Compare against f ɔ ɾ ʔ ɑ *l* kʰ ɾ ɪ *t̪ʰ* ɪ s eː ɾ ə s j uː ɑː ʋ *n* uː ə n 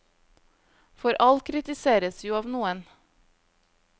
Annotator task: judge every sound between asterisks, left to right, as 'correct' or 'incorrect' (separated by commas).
correct, incorrect, correct